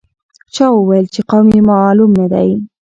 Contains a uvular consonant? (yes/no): yes